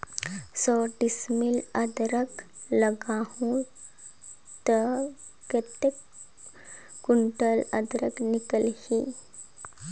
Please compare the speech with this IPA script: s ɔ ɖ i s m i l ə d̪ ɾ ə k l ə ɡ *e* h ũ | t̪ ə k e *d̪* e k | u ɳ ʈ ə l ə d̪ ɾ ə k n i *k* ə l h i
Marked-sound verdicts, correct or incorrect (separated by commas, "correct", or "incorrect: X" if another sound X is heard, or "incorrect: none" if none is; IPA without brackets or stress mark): incorrect: a, incorrect: t̪, correct